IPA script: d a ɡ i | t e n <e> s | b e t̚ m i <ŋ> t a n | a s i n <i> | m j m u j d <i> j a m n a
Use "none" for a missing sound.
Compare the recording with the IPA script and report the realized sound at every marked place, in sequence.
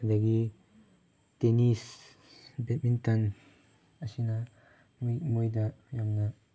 i, n, a, a

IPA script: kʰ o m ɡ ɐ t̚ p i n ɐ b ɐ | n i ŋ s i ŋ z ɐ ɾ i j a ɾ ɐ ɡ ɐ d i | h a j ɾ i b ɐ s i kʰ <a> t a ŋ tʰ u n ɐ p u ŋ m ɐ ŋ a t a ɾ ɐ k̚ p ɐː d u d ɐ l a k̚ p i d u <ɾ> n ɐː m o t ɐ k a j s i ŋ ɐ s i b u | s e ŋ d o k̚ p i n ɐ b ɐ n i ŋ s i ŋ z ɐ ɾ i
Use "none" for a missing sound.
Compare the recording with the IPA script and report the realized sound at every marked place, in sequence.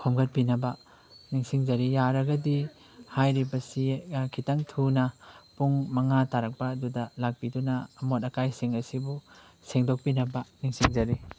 i, none

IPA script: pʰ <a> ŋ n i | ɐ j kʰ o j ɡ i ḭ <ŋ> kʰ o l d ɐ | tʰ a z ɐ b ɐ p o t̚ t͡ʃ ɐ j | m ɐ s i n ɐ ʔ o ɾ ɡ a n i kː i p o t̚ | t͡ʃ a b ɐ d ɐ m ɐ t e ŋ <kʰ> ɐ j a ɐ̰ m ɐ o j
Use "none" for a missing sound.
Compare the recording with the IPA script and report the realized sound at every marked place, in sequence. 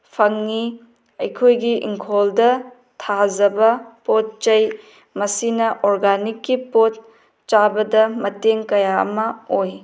ɐ, ŋ, k

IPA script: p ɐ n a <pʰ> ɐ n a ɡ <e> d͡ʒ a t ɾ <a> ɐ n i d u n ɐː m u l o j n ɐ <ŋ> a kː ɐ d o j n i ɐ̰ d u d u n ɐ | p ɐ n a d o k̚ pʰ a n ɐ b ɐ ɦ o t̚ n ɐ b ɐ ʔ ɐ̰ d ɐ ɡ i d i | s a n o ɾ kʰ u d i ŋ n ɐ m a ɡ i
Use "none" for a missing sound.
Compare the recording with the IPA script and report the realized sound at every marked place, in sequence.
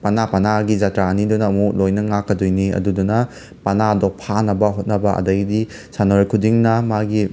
p, i, a, ŋ

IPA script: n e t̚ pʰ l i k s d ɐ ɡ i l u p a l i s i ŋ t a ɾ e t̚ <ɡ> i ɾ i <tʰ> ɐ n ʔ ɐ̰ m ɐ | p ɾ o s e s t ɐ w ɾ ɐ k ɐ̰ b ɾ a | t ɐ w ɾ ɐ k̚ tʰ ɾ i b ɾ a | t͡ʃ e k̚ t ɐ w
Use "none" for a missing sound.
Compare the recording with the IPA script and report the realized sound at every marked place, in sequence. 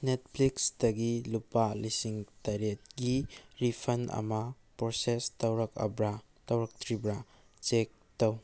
ɡ, pʰ

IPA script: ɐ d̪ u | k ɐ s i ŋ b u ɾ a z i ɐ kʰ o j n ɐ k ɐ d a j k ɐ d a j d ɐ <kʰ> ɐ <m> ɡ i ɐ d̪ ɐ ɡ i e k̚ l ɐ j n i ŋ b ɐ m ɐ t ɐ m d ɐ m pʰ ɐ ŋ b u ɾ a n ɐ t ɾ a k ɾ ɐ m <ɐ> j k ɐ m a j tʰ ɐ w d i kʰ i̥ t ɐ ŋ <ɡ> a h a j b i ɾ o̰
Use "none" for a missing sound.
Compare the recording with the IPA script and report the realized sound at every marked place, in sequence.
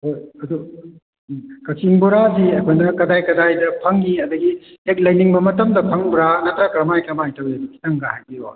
pʰ, ŋ, a, ɡ

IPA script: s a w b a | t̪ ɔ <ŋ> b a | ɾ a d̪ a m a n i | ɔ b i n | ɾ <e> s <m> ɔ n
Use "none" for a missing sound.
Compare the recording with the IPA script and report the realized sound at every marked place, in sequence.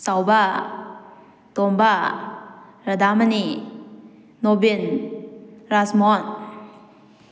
m, a, m

